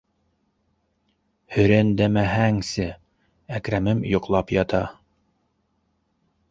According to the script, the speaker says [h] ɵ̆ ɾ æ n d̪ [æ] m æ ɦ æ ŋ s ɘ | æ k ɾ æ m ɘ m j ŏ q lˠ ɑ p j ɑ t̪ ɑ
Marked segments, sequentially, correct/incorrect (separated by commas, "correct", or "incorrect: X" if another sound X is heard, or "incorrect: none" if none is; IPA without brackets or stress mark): correct, correct